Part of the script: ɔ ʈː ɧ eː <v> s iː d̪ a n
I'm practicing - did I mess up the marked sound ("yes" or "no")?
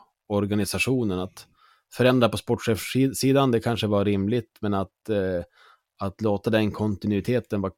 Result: yes